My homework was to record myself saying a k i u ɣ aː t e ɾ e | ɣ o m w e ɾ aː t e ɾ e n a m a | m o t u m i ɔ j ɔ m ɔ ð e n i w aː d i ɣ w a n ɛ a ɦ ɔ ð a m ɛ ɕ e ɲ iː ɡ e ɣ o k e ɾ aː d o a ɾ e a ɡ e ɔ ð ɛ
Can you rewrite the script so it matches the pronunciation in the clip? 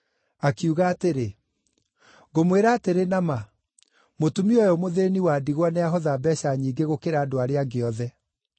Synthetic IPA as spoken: a k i u ɣ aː t e ɾ e | ɣ o m w e ɾ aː t e ɾ e n a m a | m o t u m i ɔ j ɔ m o ð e n i w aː d i ɣ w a n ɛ a ɦ ɔ ð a b ɛ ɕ a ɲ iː ɡ e ɣ o k e ɾ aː d o a ɾ e a ɡ e ɔ ð ɛ